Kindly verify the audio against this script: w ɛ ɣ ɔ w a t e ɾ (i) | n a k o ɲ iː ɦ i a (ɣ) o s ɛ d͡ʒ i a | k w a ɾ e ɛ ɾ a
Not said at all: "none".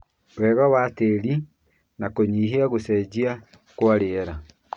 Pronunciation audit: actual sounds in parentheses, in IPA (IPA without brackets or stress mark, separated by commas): i, ɣ